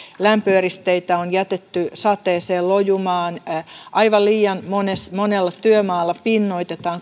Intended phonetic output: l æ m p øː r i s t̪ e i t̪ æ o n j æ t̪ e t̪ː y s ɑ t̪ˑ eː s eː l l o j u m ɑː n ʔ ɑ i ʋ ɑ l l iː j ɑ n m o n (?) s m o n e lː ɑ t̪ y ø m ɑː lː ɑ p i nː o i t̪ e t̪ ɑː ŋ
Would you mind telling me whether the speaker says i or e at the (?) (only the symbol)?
e